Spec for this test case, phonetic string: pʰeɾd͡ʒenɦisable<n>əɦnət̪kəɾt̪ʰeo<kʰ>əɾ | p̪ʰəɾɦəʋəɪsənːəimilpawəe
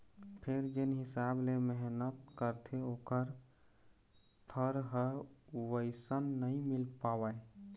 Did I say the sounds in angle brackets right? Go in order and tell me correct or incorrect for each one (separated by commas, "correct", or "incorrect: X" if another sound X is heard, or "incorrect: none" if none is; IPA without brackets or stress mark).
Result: incorrect: m, incorrect: k